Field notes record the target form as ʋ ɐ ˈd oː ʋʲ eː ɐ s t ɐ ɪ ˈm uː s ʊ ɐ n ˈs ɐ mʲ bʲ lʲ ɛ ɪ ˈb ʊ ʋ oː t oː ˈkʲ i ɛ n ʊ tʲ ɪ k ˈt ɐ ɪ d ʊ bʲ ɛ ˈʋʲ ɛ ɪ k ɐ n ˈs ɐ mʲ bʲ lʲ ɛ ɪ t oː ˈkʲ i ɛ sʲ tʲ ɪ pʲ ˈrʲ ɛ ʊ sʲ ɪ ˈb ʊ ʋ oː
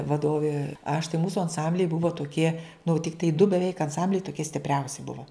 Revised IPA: ʋ ɐ ˈd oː ʋʲ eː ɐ ʃ t ɐ ɪ ˈm uː s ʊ ɐ n ˈs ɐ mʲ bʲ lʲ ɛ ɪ ˈb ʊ ʋ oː t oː ˈkʲ i ɛ n ʊ tʲ ɪ k ˈt ɐ ɪ d ʊ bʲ ɛ ˈʋʲ ɛ ɪ k ɐ n ˈs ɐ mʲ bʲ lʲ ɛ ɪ t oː ˈkʲ i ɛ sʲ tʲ ɪ pʲ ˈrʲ ɛ ʊ sʲ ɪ ˈb ʊ ʋ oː